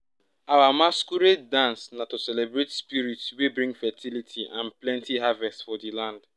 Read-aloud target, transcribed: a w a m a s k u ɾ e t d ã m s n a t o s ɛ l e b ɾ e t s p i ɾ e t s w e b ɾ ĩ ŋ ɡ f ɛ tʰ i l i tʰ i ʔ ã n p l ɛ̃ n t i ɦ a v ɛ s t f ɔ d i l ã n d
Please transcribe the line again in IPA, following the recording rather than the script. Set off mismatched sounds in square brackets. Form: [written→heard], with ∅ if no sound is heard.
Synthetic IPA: a w a m a s k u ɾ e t d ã [m→n] s n a t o s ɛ l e b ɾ e t s p i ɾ [e→i] t s w e b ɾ ĩ ŋ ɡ f ɛ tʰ i l i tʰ i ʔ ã n p l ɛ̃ n t i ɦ a v ɛ s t f ɔ d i l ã n d